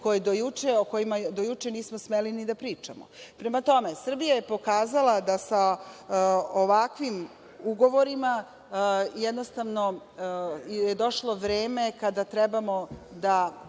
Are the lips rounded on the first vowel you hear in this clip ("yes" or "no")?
yes